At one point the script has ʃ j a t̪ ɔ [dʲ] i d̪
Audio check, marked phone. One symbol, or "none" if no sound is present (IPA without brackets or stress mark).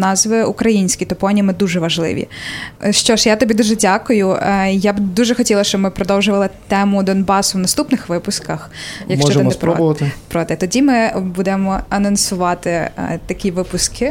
bʲ